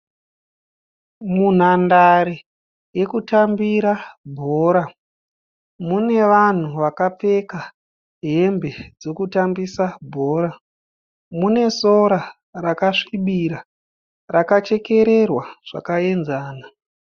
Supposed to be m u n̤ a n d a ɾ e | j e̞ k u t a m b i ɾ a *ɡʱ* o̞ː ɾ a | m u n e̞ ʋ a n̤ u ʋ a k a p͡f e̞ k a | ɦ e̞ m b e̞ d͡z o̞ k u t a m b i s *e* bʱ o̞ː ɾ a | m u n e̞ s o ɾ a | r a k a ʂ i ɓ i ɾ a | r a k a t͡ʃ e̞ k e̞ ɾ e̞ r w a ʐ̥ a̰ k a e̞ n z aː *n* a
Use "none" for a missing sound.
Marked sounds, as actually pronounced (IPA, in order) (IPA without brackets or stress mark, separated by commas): bʱ, a, n